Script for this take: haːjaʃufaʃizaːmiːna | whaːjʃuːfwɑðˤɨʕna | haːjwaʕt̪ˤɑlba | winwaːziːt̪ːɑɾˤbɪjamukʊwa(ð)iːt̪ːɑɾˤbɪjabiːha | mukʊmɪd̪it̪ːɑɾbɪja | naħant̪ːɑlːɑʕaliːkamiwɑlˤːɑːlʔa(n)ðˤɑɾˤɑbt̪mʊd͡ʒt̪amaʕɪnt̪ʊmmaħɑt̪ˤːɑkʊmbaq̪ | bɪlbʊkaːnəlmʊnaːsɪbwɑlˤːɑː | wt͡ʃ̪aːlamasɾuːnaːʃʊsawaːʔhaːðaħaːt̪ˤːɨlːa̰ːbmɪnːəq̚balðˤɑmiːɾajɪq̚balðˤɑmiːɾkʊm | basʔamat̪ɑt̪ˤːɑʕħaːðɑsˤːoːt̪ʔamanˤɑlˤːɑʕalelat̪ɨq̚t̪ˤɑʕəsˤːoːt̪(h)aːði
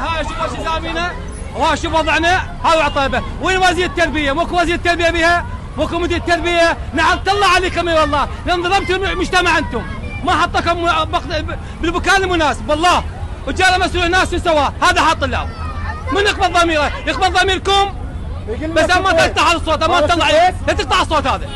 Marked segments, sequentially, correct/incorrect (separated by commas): incorrect, correct, correct